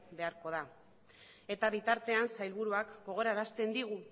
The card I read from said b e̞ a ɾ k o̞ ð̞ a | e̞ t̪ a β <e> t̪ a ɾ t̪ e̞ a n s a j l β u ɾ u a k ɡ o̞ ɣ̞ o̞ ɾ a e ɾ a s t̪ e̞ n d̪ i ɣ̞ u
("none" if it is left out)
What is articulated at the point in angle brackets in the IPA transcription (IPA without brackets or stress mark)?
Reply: i